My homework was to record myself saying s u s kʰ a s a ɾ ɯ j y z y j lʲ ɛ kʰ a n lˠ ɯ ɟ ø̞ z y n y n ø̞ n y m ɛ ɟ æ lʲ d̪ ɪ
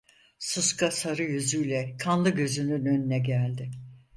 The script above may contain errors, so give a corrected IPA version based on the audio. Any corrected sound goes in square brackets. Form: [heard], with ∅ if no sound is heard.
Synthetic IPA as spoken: s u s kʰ a s a ɾ ɯ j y z y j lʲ ɛ kʰ a n lˠ ɯ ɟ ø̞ z y n y n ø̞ n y [n] ɛ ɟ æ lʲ d̪ ɪ